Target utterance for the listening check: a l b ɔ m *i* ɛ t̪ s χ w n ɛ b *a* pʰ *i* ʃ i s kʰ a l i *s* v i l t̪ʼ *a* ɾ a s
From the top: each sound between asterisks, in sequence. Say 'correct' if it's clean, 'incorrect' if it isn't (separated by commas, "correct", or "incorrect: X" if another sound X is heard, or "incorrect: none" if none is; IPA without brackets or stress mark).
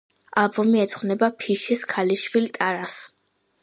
correct, correct, correct, incorrect: ʃ, correct